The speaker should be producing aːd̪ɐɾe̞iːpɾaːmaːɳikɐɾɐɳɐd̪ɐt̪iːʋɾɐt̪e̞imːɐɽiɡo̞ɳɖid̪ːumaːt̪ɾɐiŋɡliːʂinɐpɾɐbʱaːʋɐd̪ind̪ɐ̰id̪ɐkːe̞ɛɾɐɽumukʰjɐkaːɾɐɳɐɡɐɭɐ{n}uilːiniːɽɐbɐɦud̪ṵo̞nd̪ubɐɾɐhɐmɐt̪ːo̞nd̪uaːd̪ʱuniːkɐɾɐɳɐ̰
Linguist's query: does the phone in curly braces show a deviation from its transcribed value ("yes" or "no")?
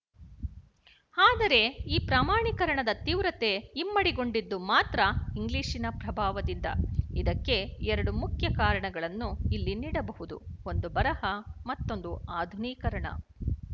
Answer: yes